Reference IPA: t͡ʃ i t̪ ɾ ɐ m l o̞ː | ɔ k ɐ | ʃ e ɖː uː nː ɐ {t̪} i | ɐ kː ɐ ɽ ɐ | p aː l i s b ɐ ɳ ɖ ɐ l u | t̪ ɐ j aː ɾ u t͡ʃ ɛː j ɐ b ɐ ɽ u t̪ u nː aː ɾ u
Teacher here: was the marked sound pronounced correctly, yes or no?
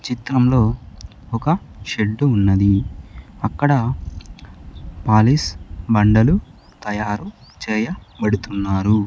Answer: no